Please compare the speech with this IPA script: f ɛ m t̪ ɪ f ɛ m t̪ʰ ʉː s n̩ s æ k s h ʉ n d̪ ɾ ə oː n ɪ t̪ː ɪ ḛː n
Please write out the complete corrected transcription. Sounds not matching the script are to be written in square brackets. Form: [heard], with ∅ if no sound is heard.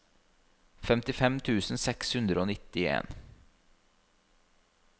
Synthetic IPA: f ɛ m t̪ ɪ f ɛ m t̪ʰ ʉː s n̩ s [ɛ] k s h ʉ n d̪ ɾ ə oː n ɪ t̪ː ɪ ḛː n